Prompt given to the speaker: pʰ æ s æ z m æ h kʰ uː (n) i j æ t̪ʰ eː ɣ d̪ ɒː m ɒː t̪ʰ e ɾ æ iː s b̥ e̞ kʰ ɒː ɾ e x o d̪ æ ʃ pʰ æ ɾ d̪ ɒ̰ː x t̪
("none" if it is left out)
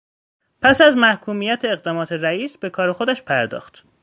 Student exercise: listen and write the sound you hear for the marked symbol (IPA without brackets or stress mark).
m